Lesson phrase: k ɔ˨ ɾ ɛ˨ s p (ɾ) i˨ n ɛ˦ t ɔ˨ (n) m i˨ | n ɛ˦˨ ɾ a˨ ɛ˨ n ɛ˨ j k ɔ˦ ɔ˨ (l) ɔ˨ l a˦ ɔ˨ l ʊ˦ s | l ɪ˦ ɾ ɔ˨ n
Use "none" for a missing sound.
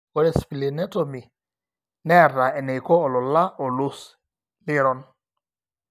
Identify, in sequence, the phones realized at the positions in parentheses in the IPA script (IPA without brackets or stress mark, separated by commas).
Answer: l, none, l